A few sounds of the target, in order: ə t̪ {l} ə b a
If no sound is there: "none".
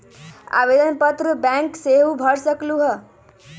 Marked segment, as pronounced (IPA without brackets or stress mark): ɾ